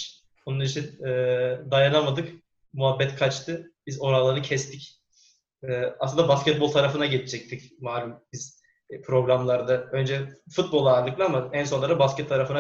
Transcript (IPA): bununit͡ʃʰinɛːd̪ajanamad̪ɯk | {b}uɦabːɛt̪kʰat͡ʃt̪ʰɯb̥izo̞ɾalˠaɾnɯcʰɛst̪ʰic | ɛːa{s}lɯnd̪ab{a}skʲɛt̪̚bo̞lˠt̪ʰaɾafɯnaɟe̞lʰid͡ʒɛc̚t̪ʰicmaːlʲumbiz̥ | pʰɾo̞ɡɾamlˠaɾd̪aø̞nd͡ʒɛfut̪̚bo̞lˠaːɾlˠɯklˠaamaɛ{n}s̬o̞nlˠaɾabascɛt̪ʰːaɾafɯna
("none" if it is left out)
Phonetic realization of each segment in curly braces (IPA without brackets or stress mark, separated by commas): m, s, a, n